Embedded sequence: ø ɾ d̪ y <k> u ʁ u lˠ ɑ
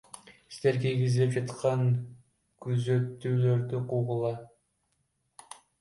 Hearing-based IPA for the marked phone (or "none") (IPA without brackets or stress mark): q